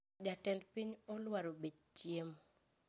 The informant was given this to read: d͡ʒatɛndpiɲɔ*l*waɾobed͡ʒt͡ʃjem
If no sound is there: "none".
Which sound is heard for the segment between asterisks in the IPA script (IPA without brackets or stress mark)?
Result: l